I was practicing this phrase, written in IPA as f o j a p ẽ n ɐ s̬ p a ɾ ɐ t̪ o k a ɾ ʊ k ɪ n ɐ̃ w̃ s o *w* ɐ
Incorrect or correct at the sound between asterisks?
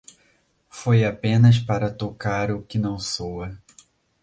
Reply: correct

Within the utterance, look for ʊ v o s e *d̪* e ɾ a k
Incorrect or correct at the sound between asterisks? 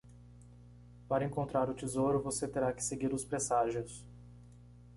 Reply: incorrect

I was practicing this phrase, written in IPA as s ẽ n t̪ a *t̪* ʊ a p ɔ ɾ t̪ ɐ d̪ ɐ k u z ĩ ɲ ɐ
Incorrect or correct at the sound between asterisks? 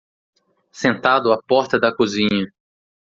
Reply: incorrect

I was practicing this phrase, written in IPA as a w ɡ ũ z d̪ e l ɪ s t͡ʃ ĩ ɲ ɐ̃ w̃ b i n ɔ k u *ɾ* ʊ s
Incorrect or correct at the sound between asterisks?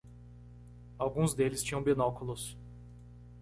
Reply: incorrect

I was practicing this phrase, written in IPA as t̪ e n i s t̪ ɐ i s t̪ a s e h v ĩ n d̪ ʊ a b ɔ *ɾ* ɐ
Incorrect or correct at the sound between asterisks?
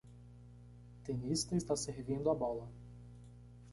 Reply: incorrect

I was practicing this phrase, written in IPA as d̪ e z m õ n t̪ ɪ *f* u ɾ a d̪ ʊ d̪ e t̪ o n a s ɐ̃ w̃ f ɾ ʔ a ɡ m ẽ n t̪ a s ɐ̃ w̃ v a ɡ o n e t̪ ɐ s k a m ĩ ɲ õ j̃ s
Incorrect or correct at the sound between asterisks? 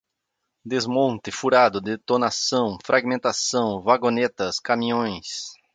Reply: correct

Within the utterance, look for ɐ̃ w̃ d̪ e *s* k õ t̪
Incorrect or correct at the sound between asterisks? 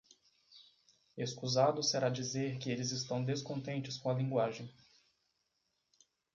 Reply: correct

